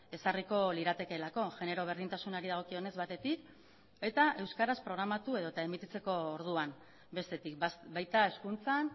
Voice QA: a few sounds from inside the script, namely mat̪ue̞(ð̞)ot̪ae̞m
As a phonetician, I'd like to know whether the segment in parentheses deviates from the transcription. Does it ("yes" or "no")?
no